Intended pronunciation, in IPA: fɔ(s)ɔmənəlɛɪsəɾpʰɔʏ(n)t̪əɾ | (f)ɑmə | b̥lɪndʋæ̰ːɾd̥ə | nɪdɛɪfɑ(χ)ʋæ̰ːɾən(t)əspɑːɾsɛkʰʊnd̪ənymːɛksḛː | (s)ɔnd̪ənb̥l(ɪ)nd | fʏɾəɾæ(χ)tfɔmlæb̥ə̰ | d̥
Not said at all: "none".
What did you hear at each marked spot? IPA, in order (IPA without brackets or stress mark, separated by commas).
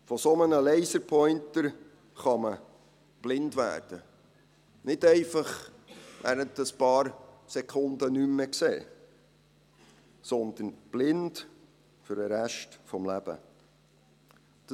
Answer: s, n, χ, χ, t, s, ɪ, ʃ